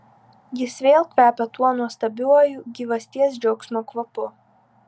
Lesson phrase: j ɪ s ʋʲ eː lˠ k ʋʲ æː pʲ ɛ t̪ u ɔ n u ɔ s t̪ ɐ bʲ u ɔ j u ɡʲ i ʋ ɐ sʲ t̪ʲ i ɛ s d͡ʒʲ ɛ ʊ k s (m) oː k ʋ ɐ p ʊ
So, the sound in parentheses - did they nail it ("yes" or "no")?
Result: yes